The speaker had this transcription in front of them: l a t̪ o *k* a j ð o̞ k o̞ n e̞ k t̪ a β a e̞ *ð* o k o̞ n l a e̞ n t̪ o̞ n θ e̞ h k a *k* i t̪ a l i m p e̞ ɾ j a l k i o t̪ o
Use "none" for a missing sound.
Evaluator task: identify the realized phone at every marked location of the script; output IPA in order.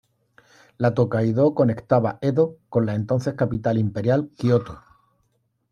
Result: k, ð, p

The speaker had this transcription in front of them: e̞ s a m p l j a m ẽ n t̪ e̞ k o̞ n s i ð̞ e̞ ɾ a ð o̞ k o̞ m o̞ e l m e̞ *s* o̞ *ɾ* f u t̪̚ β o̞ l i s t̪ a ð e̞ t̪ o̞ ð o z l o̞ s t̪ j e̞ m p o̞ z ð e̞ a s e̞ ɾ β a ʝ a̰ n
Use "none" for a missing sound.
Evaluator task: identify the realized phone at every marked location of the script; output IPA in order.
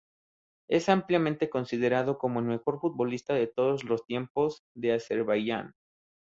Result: x, ɾ

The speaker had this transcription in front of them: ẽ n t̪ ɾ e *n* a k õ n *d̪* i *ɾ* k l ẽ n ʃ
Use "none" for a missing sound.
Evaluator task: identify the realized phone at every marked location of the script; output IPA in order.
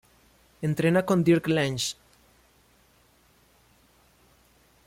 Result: n, d̪, ɾ

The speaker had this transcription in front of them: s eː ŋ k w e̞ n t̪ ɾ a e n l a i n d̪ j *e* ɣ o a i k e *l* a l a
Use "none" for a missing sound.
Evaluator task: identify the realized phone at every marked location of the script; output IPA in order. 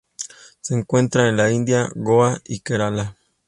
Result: a, ɾ

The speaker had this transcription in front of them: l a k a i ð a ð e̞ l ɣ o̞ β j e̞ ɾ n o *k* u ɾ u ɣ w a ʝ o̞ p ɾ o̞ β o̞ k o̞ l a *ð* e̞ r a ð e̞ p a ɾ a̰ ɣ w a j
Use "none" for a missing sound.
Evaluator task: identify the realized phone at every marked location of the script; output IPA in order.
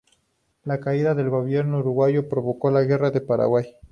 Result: none, ɣ

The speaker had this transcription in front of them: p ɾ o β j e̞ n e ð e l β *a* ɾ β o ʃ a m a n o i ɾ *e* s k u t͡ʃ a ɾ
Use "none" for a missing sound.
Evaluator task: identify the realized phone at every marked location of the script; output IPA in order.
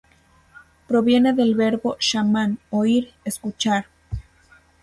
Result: e, e

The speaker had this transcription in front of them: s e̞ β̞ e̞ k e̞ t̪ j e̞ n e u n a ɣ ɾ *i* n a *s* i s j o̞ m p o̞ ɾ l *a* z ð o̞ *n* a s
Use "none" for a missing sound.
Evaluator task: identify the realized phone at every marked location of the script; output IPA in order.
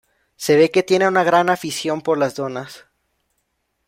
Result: a, f, a, n

